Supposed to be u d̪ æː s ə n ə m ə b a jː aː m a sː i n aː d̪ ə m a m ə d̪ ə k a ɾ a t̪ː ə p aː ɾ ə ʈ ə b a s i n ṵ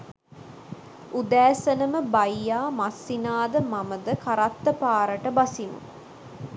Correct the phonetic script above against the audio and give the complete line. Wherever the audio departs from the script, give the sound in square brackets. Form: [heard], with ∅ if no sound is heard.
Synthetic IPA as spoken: u d̪ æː s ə n ə m ə b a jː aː m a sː i n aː d̪ ə m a m ə d̪ ə k a ɾ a t̪ː ə p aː ɾ ə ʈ ə b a s i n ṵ